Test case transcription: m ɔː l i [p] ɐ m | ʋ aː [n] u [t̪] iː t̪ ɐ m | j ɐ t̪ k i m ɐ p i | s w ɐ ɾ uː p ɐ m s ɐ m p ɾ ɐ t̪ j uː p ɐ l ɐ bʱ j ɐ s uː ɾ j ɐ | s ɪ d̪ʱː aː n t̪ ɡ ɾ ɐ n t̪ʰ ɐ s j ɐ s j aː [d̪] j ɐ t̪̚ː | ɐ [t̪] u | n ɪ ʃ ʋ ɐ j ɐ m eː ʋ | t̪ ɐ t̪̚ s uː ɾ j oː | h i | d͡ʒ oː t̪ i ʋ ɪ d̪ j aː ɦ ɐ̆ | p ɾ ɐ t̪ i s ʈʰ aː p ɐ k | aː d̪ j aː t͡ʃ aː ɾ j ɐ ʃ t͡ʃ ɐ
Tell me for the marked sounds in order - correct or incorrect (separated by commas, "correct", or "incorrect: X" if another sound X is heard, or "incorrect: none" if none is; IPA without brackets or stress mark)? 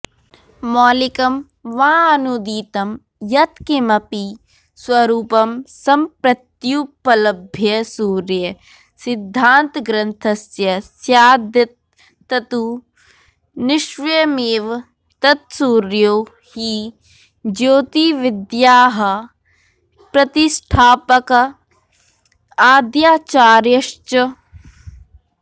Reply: incorrect: k, correct, incorrect: d̪, correct, correct